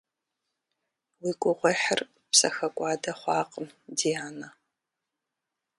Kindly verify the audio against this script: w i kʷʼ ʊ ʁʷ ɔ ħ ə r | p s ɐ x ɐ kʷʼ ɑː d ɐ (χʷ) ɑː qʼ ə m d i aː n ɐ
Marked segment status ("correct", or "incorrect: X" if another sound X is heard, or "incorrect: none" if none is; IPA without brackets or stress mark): correct